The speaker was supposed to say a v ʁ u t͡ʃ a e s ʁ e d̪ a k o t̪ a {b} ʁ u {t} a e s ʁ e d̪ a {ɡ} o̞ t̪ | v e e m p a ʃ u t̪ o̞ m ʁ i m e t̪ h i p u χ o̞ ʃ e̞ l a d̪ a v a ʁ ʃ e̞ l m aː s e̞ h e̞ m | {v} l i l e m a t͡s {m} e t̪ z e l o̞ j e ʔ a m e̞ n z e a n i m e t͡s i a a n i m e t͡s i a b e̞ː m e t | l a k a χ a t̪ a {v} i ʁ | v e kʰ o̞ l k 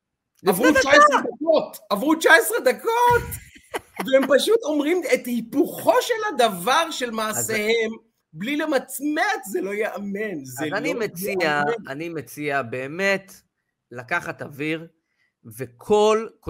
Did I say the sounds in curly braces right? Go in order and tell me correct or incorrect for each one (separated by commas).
incorrect, incorrect, incorrect, incorrect, correct, correct